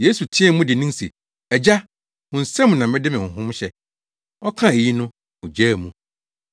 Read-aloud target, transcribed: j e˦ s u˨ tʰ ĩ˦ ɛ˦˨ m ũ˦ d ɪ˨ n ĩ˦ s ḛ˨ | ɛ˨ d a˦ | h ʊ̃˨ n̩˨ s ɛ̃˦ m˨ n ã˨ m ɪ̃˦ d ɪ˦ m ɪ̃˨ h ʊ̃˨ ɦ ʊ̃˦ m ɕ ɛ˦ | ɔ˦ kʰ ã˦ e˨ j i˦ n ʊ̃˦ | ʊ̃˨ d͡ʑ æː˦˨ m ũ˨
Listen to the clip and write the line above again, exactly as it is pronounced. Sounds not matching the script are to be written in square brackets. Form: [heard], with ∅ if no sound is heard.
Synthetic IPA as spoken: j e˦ s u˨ tʰ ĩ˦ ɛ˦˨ m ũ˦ d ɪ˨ n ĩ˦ s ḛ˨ | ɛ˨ [d͡ʑ] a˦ | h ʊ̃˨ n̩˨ s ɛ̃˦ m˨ n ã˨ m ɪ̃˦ d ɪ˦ m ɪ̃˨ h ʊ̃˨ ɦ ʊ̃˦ m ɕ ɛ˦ | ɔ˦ kʰ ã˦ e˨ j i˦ n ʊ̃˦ | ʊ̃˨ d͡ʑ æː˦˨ m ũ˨